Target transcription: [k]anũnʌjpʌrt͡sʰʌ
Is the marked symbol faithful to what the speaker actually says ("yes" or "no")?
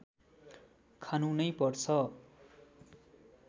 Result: no